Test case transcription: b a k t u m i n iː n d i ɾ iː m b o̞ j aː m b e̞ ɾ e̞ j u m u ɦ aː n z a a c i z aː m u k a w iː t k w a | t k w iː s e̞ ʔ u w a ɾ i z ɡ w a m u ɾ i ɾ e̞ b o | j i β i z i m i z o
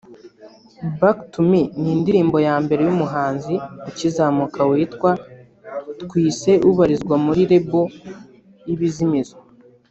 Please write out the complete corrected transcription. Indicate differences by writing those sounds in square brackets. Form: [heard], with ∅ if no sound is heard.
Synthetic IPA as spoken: b a k t u m i n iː n d i ɾ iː m b o̞ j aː m b e̞ ɾ e̞ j u m u ɦ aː n z [i] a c i z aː m u k a w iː t k w a | t k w iː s e̞ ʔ u [β] a ɾ i z ɡ w a m u ɾ i ɾ e̞ b o | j i β i z i m i z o